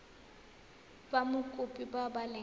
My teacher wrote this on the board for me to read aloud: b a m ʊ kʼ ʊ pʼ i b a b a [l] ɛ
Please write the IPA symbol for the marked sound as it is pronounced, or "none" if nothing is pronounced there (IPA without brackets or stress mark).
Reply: l